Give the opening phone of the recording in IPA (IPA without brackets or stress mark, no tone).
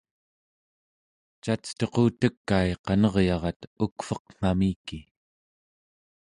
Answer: t͡ʃ